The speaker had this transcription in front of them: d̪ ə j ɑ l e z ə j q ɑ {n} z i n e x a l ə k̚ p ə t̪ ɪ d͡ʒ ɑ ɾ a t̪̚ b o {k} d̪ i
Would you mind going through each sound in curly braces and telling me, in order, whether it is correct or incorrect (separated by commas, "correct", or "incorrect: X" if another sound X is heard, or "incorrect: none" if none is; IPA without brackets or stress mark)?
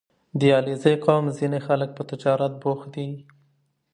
incorrect: m, incorrect: x